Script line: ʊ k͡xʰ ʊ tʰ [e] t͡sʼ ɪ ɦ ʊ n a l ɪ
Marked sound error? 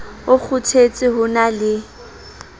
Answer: no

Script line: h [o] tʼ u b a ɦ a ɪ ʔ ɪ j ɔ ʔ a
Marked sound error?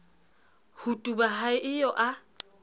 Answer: yes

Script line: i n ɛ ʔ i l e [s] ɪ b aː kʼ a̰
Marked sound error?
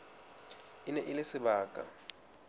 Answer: no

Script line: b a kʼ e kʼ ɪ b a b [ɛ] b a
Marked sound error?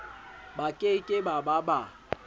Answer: yes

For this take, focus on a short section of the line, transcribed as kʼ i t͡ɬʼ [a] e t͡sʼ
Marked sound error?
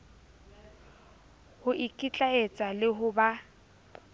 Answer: no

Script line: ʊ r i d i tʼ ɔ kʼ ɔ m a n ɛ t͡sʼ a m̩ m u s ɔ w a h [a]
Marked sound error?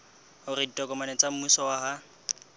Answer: no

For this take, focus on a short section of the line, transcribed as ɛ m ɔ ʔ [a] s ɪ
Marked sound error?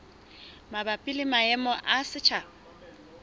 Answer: no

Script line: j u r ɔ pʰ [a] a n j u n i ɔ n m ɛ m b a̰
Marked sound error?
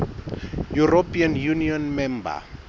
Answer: yes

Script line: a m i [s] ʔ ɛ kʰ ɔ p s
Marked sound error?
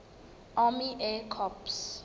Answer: yes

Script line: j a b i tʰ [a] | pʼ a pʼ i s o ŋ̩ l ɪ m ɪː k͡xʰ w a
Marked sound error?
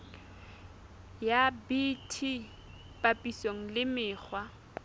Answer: yes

